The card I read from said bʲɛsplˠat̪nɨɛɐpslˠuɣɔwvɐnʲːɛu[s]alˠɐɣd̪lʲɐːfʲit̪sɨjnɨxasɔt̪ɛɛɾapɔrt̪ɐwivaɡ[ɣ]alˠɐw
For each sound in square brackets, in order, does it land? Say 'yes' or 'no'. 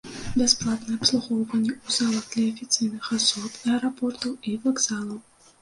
no, no

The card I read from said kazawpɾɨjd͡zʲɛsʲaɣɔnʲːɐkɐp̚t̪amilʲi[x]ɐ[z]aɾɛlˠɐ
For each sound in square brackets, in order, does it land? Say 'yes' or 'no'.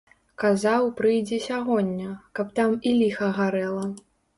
yes, no

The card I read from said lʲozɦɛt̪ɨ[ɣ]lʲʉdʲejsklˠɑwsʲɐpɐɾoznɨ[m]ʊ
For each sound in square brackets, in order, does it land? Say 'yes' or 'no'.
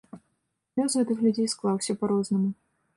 no, yes

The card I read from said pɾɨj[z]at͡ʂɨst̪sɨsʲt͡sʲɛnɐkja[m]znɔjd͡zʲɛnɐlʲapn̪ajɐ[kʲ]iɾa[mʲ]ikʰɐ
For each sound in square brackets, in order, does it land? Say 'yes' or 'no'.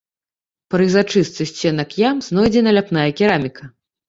yes, yes, yes, yes

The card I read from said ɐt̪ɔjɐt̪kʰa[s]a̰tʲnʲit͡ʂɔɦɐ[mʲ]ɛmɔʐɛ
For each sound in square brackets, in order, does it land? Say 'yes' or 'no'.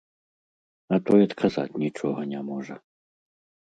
no, no

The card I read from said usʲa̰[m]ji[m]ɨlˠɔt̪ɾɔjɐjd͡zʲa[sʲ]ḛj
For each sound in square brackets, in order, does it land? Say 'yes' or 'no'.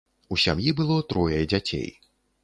yes, no, no

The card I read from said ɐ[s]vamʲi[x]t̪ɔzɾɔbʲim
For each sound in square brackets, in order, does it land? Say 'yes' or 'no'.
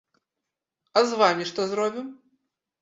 no, no

